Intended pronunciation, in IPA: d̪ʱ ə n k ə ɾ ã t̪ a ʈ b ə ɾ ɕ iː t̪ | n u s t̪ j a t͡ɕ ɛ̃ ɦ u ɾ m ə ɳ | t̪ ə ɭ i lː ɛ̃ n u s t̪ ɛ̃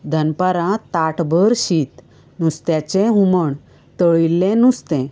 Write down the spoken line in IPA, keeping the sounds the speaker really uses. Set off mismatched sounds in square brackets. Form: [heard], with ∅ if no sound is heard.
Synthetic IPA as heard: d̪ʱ ə n [p] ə ɾ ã t̪ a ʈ b ə ɾ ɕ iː t̪ | n u s t̪ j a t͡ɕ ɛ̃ ɦ u [∅] m ə ɳ | t̪ ə ɭ i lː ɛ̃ n u s t̪ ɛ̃